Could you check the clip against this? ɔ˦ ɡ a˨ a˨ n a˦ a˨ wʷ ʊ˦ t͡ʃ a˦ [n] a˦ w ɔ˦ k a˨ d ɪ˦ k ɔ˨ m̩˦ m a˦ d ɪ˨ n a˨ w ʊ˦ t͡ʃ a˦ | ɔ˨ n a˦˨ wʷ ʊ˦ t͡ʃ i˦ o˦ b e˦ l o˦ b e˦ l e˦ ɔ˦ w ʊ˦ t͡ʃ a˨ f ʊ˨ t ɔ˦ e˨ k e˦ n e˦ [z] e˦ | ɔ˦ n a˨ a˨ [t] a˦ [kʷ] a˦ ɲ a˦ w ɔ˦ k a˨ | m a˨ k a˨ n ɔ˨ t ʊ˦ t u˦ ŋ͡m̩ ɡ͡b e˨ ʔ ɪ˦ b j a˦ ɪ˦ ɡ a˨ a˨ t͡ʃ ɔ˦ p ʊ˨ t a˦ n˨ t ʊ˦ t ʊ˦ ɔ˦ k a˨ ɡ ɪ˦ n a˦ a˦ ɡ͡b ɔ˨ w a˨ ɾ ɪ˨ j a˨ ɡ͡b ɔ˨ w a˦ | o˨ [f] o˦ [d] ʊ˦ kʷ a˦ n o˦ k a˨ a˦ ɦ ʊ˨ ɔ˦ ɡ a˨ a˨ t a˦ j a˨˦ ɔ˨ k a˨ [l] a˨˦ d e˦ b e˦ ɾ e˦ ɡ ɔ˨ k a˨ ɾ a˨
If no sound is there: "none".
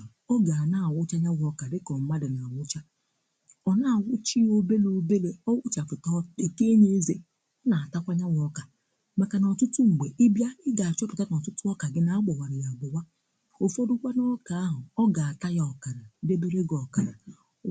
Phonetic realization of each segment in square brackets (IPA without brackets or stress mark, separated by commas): ɲ, z, t, kʷ, f, d, ɾ